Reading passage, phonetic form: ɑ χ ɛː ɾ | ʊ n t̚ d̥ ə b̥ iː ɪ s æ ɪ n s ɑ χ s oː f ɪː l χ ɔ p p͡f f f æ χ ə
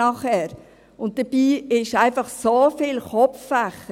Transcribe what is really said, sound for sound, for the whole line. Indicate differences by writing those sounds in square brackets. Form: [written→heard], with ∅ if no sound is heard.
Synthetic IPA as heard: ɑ χ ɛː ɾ | ʊ n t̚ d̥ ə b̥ iː ɪ [s→ʃ] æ ɪ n [s→f] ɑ χ s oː f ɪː l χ ɔ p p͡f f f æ χ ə

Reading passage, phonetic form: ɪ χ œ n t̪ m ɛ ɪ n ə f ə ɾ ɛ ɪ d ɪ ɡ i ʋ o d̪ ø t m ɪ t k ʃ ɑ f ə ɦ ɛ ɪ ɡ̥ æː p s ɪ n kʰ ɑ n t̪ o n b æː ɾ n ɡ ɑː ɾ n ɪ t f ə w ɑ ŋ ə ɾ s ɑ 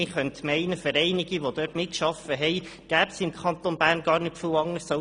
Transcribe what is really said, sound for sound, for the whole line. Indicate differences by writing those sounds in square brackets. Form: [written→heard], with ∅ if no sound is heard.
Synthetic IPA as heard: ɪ χ œ n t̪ m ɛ ɪ n ə f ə ɾ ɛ ɪ [d→n] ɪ ɡ i ʋ o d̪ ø t m ɪ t k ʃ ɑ f ə ɦ ɛ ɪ ɡ̥ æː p s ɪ [n→m] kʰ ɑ n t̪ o n b æː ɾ n ɡ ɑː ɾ n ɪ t f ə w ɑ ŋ ə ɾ s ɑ

